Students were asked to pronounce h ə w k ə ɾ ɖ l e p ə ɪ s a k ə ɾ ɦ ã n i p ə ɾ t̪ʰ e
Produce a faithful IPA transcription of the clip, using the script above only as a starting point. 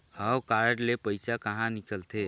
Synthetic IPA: h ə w k a ɾ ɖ l e p ə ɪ s a k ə ɦ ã n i k ə l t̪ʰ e

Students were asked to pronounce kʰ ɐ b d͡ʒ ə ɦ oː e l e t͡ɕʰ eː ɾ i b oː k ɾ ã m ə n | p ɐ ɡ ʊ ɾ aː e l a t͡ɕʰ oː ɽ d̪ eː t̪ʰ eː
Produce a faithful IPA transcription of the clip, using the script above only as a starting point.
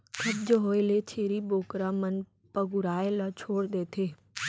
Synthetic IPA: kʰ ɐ b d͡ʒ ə ɦ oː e l e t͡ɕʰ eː ɾ i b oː k ɾ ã m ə n | p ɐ ɡ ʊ ɾ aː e l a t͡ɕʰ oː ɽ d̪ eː t̪ʰ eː

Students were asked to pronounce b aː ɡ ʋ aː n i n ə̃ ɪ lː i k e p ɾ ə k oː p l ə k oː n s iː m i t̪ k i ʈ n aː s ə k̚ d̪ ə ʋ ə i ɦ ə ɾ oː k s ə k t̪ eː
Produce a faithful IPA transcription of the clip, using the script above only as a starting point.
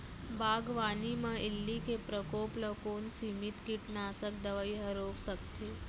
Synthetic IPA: b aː ɡ ʋ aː n i m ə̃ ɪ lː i k e p ɾ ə k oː p l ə k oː n s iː m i t̪ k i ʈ n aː s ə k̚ d̪ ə ʋ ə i ɦ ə ɾ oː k s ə k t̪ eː

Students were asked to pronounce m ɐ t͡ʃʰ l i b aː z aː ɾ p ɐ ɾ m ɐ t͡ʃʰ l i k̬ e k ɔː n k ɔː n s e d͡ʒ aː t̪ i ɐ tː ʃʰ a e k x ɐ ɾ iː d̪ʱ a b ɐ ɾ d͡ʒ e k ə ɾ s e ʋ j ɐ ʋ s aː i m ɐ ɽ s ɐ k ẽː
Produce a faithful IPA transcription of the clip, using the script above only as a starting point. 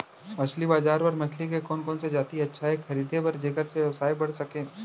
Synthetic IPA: m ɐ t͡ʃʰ l i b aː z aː ɾ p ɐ ɾ m ɐ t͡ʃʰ l i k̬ e k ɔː n k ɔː n s e d͡ʒ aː t̪ i ɐ tː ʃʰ a e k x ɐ ɾ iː d̪ʱ e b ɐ ɾ d͡ʒ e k ə ɾ s e ʋ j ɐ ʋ s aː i b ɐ ɽ s ɐ k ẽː

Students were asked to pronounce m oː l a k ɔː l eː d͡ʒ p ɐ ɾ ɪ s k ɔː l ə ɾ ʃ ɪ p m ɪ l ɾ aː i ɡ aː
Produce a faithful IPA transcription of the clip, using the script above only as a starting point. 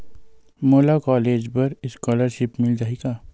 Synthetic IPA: m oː l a k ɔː l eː d͡ʒ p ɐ ɾ ɪ s k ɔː l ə ɾ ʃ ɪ p m ɪ l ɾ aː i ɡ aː

